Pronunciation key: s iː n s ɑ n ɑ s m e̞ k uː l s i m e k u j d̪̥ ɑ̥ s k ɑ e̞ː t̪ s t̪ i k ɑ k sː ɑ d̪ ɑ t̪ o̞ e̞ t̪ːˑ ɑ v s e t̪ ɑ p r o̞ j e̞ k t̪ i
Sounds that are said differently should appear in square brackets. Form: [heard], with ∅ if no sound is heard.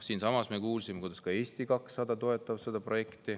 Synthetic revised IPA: s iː n s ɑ [m] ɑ s m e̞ k uː l s i m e k u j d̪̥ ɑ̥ s k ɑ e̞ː [∅] s t̪ i k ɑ k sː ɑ d̪ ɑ t̪ o̞ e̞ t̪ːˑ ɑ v s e [d̪] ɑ p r o̞ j e̞ k t̪ i